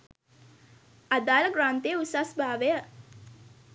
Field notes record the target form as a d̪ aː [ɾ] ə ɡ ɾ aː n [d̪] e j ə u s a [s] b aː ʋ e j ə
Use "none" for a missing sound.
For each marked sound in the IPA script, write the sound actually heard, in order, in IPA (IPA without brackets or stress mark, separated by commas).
l, t̪, s